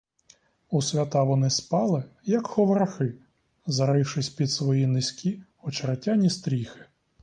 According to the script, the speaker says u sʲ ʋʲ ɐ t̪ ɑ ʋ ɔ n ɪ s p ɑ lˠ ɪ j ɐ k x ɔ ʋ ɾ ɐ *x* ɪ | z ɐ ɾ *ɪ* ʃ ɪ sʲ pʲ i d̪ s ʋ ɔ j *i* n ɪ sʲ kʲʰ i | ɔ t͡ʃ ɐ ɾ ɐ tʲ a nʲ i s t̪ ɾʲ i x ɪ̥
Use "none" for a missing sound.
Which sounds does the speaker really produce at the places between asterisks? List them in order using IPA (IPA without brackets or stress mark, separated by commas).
x, ɪ, i